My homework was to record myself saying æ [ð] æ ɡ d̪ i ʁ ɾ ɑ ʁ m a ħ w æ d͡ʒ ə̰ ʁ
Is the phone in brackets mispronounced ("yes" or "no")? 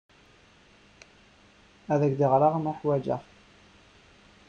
no